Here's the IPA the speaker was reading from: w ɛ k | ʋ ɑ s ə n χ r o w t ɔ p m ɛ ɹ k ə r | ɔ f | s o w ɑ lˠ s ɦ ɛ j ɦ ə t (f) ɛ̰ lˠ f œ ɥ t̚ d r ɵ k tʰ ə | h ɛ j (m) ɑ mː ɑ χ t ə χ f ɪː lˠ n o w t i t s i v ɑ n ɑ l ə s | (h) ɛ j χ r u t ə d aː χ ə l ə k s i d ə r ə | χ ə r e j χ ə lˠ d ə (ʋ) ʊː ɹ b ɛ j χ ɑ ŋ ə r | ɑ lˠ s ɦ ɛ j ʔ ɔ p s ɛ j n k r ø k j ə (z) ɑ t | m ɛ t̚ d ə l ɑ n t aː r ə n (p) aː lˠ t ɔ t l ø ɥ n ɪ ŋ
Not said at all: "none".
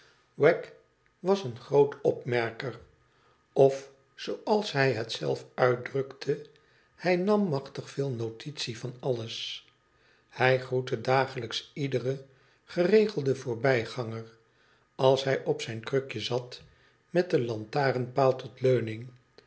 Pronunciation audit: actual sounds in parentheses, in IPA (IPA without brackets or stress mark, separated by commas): s, n, h, v, z, p